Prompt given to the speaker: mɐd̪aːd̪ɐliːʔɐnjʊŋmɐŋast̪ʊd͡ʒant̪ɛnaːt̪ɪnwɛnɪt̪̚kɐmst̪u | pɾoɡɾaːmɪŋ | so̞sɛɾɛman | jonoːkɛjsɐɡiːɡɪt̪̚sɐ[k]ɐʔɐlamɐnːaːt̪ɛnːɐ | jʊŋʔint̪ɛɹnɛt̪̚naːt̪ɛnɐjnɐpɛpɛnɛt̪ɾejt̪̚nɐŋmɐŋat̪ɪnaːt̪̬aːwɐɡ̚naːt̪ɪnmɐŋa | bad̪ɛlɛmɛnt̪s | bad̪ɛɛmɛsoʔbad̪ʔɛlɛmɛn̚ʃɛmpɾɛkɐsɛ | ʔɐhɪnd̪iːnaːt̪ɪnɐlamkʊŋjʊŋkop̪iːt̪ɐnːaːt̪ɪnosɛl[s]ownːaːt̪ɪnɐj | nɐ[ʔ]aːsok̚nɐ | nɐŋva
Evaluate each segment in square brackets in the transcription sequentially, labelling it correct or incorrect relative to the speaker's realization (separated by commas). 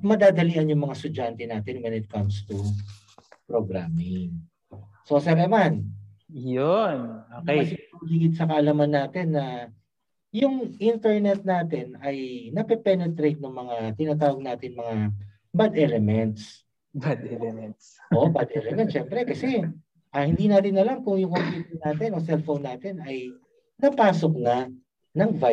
correct, incorrect, incorrect